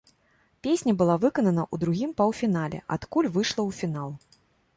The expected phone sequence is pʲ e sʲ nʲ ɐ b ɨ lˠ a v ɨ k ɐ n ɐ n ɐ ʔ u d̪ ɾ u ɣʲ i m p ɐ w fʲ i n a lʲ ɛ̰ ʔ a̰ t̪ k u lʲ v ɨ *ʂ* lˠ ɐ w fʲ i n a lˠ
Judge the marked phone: correct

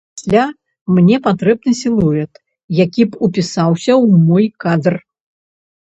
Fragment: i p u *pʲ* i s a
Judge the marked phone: correct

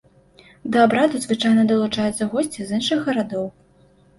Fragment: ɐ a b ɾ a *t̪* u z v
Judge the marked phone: incorrect: d̪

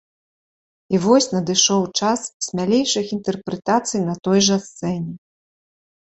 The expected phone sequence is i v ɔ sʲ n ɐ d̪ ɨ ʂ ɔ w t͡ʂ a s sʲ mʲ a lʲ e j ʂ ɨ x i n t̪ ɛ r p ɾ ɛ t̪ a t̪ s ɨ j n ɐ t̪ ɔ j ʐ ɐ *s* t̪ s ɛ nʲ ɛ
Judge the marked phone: correct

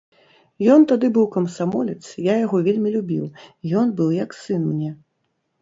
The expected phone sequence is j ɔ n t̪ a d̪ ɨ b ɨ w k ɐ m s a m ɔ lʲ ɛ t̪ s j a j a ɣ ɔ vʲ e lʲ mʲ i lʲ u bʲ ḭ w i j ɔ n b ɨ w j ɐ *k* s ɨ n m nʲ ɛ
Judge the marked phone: correct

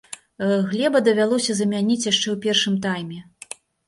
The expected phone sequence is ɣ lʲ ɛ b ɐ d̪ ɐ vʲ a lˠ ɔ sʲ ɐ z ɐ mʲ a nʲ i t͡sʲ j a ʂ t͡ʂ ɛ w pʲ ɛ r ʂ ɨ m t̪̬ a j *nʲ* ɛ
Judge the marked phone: incorrect: mʲ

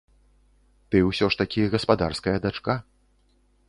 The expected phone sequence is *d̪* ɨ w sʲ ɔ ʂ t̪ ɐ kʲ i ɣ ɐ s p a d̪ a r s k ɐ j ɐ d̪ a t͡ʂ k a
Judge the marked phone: incorrect: t̪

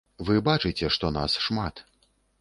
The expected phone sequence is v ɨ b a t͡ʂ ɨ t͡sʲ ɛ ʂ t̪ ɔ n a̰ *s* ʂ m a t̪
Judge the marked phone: correct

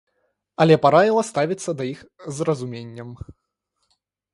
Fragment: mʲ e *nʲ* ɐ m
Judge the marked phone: incorrect: nʲː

